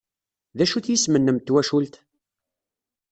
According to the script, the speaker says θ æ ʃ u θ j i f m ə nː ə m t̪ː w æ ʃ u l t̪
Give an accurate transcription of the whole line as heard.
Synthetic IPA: ð æ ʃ u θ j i s m ə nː ə m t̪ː w æ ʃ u l t̪